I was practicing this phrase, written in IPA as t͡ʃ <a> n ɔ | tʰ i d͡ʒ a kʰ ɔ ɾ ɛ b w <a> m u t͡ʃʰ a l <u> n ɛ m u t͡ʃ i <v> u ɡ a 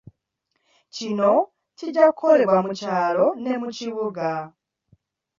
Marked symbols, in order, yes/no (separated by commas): no, yes, no, no